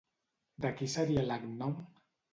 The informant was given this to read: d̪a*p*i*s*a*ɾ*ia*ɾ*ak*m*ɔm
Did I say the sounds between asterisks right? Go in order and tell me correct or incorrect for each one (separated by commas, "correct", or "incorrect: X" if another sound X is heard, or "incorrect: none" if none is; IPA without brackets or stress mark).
incorrect: k, correct, correct, incorrect: l, incorrect: n